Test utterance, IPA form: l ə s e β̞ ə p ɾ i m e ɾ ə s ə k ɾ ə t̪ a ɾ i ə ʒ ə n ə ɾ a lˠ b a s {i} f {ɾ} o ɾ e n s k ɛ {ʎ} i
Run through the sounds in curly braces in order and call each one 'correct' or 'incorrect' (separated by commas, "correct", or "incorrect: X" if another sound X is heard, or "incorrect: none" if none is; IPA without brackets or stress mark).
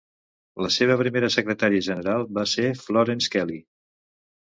incorrect: e, incorrect: l, incorrect: l